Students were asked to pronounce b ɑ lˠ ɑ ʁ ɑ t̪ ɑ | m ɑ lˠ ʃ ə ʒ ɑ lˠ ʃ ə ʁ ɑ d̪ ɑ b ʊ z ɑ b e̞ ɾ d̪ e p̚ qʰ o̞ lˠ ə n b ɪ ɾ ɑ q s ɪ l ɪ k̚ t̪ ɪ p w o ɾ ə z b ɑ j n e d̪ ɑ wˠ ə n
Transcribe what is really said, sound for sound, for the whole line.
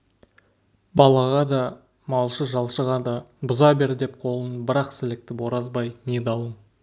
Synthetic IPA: b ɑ lˠ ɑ ʁ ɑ d̪ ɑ | m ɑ lˠ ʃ ə ʒ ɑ lˠ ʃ ə ʁ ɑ d̪ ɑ b ʊ z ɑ b e̞ ɾ d̪ e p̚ qʰ o̞ lˠ ə n b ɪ ɾ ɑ q s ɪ l ɪ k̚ t̪ ɪ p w o ɾ ɑ z b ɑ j n e d̪ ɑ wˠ ə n

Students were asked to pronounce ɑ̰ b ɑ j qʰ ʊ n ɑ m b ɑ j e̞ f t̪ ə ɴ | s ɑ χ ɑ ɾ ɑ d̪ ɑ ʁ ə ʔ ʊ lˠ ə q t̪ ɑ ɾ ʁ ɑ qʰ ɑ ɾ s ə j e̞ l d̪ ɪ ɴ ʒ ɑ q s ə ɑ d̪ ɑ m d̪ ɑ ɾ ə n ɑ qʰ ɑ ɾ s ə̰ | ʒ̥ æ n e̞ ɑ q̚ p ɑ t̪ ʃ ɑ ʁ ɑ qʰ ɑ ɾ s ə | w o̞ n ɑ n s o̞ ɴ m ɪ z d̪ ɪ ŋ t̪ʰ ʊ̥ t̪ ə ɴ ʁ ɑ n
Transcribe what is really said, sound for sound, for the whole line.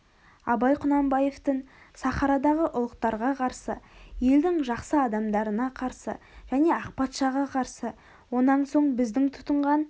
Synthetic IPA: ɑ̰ b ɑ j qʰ ʊ n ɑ m b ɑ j e̞ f t̪ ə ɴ | s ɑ χ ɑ ɾ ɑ d̪ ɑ ʁ ə ʔ ʊ lˠ ə q t̪ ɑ ɾ ʁ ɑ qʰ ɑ ɾ s ə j e̞ l d̪ ɪ ŋ ʒ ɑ q s ə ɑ d̪ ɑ m d̪ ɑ ɾ ə n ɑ qʰ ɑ ɾ s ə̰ | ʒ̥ æ n e̞ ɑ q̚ p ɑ t̪ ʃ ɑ ʁ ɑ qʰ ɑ ɾ s ə | w o̞ n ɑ n s o̞ ɴ b ɪ z d̪ ɪ ŋ t̪ʰ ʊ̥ t̪ ə ɴ ʁ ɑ n

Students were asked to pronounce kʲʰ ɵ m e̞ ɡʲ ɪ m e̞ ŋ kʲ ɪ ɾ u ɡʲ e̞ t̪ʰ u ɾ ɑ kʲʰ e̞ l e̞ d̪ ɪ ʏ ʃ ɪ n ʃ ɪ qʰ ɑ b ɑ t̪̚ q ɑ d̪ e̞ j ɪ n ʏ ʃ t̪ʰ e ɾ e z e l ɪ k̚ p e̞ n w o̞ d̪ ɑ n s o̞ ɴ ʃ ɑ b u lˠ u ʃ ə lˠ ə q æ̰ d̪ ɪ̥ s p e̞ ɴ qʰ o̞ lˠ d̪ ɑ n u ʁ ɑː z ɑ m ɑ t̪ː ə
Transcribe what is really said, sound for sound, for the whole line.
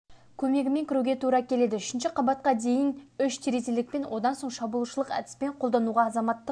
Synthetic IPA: kʲʰ ɵ m e̞ ɡʲ ɪ m e̞ ŋ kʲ ɪ ɾ u ɡʲ e̞ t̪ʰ u ɾ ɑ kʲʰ e̞ l e̞ d̪ ɪ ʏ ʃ ɪ n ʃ ɪ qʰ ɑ b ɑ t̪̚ q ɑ d̪ e̞ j ɪ n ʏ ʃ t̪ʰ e ɾ e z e l ɪ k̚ p e̞ n w o̞ d̪ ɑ n s o̞ ɴ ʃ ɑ b u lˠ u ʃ ə lˠ ə q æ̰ d̪ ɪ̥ s p e̞ ɴ qʰ o̞ lˠ d̪ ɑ n u ʁ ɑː z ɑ m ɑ t̪ː ə

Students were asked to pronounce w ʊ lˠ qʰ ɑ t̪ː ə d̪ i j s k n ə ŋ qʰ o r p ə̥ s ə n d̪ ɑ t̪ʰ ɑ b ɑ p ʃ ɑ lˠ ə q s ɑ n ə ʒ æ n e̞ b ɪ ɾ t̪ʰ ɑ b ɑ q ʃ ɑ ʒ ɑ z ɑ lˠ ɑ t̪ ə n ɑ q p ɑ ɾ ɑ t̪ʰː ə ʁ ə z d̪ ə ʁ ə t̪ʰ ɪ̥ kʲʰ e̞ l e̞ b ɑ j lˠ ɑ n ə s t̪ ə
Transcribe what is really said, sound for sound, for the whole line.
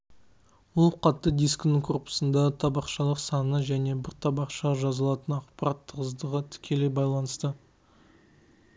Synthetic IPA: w ʊ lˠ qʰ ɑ t̪ː ə d̪ i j s k n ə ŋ kʰ o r p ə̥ s ə n d̪ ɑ t̪ʰ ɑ b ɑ q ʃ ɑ lˠ ə q s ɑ n ə ʒ æ n e̞ b ɪ ɾ t̪ʰ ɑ b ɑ q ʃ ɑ ʒ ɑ z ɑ lˠ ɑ t̪ ə n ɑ q p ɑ ɾ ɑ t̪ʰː ə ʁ ə z d̪ ə ʁ ə t̪ʰ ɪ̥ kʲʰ e̞ l e̞ b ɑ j lˠ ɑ n ə s t̪ ə

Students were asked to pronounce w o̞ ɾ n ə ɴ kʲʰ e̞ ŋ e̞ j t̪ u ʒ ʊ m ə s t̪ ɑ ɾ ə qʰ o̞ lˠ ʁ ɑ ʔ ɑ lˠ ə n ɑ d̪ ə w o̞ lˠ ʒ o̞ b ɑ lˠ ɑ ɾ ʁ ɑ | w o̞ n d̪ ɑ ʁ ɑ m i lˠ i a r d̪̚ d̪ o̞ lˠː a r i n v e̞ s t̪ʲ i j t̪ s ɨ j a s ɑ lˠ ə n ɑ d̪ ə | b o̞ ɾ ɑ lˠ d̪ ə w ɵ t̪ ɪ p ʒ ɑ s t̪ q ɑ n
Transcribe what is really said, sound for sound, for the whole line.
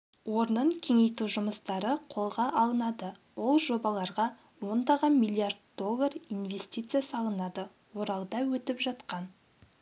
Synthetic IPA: w o̞ ɾ n ə ɴ kʲʰ e̞ ŋ e̞ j t̪ u ʒ ʊ m ə s t̪ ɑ ɾ ə qʰ o̞ lˠ ʁ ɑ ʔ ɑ lˠ ə n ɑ d̪ ə w o̞ lˠ ʒ o̞ b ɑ lˠ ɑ ɾ ʁ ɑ | w o̞ n d̪ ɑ ʁ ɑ m i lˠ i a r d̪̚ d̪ o̞ lˠː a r i n v e̞ s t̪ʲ i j t̪ s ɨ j a s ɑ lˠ ə n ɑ d̪ ə | w o̞ ɾ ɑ lˠ d̪ ɑ w ɵ t̪ ɪ p ʒ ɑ t̪ q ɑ n

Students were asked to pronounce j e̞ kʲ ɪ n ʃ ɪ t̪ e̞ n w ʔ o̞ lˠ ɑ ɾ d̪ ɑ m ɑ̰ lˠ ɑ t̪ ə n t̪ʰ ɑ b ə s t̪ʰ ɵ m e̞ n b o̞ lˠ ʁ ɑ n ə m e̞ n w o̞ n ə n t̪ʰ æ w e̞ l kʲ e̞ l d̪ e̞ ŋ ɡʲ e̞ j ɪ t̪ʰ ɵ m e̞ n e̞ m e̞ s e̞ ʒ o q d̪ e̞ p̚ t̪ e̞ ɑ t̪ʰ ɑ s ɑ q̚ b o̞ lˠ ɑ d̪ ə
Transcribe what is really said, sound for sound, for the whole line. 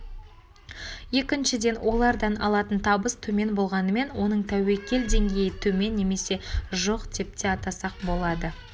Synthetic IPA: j e̞ kʲ ɪ n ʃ ɪ d̪ e̞ n w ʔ o̞ lˠ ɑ ɾ d̪ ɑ n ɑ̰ lˠ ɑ t̪ ə n t̪ʰ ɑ b ə s t̪ʰ ɵ m e̞ n b o̞ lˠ ʁ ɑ n ə m e̞ n w o̞ n ə ɴ t̪ʰ æ w e̞ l kʲ e̞ l d̪ e̞ ŋ ɡʲ e̞ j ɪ t̪ʰ ɵ m e̞ nː e̞ m e̞ s e̞ ʒ o q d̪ e̞ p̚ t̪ e̞ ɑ t̪ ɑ s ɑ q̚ b o̞ lˠ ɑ d̪ ə

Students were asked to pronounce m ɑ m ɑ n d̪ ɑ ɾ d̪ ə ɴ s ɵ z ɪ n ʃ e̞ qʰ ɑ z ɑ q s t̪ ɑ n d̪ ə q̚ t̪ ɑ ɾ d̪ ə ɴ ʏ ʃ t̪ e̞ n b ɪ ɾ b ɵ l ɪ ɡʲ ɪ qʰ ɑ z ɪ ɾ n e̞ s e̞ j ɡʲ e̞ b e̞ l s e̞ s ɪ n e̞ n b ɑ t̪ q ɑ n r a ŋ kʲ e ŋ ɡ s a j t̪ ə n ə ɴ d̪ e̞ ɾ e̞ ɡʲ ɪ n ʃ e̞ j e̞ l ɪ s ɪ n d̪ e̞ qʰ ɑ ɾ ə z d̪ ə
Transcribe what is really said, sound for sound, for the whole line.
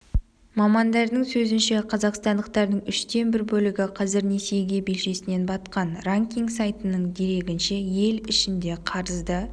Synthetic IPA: m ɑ m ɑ n d̪ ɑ ɾ d̪ ə ɴ s ɵ z ɪ n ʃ e̞ qʰ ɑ z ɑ q s t̪ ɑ n d̪ ə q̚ t̪ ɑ ɾ d̪ ə ɴ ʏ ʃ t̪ e̞ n b ɪ ɾ b ɵ l ɪ ɡʲ ɪ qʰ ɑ z ɪ ɾ n e̞ s e̞ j ɡʲ e̞ b e̞ l ʃ e̞ s ɪ n e̞ n b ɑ t̪ q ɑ n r a ŋ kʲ i ŋ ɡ s a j t̪ ə n ə ɴ d̪ e̞ ɾ e̞ ɡʲ ɪ n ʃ e̞ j e̞ l ɪ ʃ ɪ n d̪ e̞ qʰ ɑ ɾ ə z d̪ ə

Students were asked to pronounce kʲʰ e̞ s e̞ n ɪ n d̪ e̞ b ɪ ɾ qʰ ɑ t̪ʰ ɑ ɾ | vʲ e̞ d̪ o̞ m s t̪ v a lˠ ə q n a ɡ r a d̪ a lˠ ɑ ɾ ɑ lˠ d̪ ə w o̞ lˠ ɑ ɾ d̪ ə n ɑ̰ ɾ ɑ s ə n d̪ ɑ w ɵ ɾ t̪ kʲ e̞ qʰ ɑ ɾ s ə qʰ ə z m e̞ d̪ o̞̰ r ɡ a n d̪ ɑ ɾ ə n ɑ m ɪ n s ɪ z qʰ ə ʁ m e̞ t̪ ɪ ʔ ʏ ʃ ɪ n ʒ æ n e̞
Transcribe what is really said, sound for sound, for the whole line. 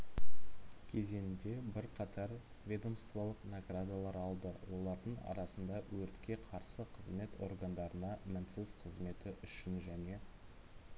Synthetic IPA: kʲʰ e̞ z e̞ n ɪ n d̪ e̞ b ɪ ɾ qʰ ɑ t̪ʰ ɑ ɾ | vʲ e̞ d̪ o̞ m s t̪ v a lˠ ə q n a ɡ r a d̪ a lˠ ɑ ɾ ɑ lˠ d̪ ə w o̞ lˠ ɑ ɾ d̪ ə ɴ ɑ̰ ɾ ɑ s ə n d̪ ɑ w ɵ ɾ t̪ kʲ e̞ qʰ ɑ ɾ s ə qʰ ə z m e̞ t̪ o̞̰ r ɡ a n d̪ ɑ ɾ ə n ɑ m ɪ n s ɪ z qʰ ə z m e̞ t̪ ɪ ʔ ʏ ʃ ɪ n ʒ æ n e̞

